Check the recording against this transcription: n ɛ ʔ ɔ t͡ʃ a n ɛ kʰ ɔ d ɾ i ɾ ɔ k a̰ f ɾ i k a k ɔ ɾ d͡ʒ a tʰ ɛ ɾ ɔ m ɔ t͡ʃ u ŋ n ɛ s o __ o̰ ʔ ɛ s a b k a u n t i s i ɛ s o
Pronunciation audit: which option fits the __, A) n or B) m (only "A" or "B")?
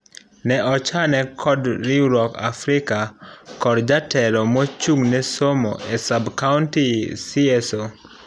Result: B